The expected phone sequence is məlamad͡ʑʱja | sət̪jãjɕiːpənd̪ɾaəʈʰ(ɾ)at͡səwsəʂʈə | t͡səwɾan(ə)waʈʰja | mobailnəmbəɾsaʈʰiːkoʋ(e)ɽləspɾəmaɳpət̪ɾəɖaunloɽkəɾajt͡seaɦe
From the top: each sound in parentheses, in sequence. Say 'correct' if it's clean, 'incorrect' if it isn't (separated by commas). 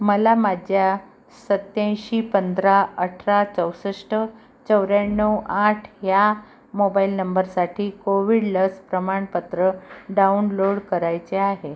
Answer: correct, correct, incorrect